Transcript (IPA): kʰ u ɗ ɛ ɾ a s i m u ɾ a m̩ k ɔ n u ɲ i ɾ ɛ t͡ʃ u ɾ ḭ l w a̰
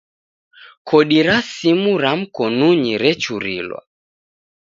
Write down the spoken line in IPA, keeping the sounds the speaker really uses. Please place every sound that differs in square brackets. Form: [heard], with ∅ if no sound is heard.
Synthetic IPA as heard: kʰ [ɔ] ɗ [i] ɾ a s i m u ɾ a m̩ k ɔ n u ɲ i ɾ ɛ t͡ʃ u ɾ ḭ l w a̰